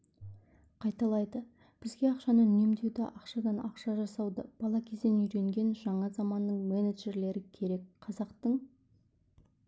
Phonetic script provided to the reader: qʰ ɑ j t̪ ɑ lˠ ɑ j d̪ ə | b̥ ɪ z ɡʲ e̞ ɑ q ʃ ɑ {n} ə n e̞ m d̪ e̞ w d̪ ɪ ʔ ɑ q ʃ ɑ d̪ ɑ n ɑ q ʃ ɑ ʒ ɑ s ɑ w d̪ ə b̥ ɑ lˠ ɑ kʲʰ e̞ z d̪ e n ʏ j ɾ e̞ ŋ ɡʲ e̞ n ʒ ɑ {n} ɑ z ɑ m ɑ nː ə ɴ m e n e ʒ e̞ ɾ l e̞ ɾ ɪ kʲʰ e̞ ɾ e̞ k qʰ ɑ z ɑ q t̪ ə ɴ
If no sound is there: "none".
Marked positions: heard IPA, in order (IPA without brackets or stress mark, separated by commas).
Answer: n, ɴ